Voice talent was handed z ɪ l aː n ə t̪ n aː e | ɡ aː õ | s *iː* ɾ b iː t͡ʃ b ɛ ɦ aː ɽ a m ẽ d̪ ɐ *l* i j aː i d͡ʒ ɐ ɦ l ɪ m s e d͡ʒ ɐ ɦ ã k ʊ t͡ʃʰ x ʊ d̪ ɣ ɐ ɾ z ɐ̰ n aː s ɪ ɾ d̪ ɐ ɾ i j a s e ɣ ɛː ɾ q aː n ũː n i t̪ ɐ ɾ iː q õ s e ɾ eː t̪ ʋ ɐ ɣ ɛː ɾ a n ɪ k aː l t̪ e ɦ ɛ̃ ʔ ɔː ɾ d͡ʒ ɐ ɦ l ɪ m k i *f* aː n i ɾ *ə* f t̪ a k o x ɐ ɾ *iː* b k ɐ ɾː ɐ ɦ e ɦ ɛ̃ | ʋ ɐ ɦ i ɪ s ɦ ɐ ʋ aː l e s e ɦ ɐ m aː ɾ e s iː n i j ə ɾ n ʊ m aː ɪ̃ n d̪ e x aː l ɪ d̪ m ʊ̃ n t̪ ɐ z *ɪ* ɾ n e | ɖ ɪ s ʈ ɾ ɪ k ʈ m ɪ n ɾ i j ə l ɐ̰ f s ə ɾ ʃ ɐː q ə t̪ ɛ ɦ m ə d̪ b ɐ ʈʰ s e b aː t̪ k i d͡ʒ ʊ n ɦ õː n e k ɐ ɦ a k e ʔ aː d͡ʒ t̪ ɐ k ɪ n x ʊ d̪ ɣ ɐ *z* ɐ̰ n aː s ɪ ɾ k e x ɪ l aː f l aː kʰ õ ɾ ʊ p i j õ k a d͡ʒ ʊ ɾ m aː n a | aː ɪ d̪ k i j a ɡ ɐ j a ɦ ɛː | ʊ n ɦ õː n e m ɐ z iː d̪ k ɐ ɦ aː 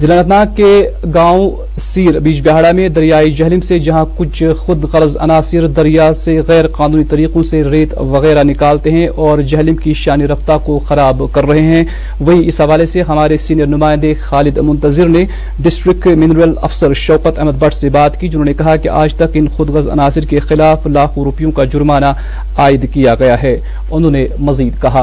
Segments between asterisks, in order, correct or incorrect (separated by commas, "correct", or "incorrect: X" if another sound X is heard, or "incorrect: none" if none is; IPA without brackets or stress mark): correct, incorrect: ɾ, incorrect: ʃ, incorrect: ɐ, incorrect: aː, correct, correct